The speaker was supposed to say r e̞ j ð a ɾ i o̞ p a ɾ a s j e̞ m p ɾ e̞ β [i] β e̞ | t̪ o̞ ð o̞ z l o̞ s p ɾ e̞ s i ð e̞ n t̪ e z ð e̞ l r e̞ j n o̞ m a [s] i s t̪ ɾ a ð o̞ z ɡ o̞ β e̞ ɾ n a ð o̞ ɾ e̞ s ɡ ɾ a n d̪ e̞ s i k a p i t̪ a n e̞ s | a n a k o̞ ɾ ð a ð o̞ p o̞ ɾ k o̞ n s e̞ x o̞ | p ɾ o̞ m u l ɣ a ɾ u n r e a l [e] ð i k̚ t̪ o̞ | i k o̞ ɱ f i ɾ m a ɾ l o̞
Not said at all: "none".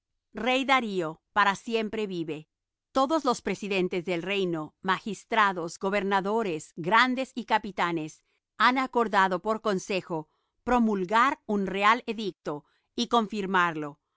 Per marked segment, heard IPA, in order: i, x, e

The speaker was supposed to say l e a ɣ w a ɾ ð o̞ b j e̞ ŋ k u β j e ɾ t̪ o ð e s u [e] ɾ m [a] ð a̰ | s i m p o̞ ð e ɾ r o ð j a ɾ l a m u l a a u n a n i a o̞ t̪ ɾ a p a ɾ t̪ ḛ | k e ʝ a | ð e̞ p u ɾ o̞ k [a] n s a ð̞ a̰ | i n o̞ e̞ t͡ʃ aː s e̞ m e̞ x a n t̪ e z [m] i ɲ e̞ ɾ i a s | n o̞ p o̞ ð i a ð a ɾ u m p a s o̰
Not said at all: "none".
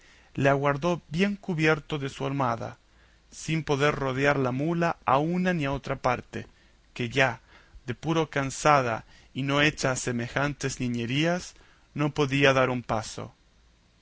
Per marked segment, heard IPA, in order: a, a, a, n

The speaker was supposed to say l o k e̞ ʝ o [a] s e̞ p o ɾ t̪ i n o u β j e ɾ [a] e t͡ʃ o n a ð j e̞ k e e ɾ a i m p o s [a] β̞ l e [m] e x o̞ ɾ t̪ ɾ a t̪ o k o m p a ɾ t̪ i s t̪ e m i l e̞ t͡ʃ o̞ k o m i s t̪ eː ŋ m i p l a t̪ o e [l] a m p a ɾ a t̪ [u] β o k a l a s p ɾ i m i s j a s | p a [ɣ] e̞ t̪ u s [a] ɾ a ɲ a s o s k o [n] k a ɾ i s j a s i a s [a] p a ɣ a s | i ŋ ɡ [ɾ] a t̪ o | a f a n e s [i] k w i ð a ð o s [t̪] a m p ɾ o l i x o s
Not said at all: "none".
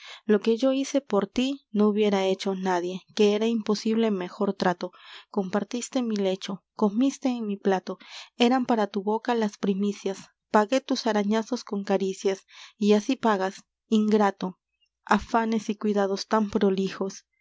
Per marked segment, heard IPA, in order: i, a, i, m, ɾ, u, ɣ, a, ŋ, i, ɾ, i, t̪

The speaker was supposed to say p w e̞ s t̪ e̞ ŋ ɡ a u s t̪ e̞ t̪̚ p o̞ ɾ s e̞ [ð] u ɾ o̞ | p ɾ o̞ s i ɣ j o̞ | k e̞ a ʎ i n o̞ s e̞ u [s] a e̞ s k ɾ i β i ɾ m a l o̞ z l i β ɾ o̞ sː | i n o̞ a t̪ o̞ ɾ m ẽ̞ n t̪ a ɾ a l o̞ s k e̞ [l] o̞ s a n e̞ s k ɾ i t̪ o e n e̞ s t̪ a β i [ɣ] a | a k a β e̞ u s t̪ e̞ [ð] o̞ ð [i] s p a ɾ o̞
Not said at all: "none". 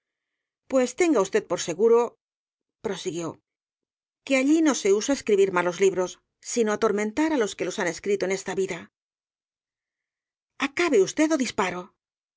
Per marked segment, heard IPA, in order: ɣ, s, l, ð, ð, i

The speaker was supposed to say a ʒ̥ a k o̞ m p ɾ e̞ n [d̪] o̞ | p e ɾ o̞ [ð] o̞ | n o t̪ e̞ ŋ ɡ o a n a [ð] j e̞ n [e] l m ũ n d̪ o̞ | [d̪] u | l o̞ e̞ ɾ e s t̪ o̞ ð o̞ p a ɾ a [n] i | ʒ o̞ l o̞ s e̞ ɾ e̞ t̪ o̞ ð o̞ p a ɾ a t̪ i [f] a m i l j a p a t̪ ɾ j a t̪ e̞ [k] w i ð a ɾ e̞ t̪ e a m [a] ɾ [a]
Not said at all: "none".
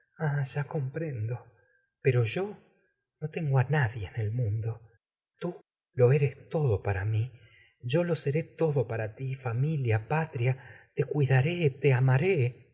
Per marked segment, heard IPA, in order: d̪, ʒ, ð, e, t̪, m, f, k, a, e

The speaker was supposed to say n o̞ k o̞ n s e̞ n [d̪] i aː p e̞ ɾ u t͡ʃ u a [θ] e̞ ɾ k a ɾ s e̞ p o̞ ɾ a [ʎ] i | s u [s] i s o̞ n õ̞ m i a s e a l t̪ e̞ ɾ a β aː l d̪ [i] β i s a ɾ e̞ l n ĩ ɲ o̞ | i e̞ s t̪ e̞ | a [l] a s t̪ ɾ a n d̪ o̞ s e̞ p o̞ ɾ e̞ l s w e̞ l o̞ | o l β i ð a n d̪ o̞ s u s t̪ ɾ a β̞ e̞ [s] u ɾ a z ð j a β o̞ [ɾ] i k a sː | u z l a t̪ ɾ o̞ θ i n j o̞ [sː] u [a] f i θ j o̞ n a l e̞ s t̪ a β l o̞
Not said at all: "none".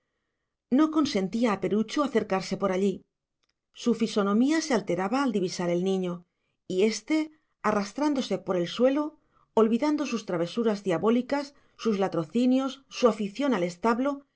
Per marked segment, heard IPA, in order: t̪, θ, ʎ, f, i, r, s, l, sː, a

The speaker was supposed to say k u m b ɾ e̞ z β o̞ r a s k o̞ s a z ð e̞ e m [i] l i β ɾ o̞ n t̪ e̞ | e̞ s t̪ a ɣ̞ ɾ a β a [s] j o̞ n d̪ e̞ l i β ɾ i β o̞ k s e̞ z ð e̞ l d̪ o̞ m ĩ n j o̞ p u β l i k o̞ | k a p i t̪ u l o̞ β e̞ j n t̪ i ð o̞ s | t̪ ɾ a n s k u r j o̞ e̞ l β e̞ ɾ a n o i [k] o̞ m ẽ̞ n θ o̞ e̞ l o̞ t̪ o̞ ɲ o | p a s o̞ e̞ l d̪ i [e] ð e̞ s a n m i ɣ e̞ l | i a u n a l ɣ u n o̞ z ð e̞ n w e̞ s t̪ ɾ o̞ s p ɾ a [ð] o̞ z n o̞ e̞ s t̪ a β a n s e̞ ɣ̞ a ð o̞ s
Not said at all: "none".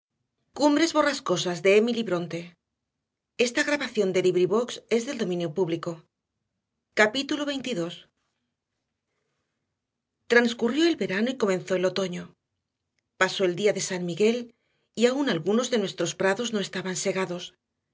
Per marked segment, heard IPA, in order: i, θ, k, a, ð

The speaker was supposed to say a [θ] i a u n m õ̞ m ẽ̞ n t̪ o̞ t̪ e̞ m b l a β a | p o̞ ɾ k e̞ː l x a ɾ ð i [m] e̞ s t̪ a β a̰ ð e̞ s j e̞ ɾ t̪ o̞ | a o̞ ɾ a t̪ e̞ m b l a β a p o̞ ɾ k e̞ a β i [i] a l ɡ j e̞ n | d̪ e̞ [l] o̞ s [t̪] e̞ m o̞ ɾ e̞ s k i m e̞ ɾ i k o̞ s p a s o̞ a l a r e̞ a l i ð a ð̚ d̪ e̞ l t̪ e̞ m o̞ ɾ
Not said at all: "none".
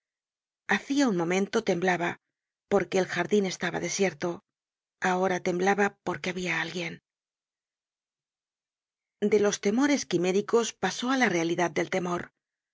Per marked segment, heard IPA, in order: θ, n, a, l, t̪

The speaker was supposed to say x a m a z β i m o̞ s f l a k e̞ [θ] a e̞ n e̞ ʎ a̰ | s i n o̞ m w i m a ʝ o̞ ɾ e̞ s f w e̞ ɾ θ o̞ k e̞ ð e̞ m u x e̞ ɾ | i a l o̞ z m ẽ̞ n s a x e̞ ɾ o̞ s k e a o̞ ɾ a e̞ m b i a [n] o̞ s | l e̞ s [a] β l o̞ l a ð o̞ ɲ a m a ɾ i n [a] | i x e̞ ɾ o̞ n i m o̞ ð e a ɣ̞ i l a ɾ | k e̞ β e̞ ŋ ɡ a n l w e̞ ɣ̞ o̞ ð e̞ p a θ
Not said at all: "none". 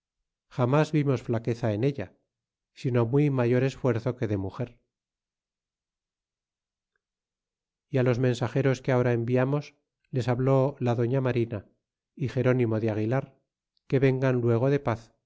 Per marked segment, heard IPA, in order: θ, m, a, a

